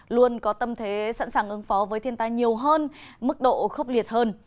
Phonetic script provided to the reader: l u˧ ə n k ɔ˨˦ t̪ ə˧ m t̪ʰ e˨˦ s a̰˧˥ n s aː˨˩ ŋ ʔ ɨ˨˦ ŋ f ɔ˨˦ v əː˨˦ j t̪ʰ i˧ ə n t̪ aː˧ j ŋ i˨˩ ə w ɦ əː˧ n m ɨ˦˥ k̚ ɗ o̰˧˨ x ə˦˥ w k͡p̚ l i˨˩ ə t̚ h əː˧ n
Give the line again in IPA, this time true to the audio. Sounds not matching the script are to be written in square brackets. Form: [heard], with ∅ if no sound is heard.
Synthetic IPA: l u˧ ə n k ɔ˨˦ t̪ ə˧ m t̪ʰ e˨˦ s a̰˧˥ n s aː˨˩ ŋ ʔ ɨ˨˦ ŋ f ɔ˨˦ v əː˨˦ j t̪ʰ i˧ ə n t̪ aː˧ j [ɲ] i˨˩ ə w ɦ əː˧ n m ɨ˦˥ k̚ ɗ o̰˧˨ x ə˦˥ w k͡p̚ l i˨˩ ə t̚ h əː˧ n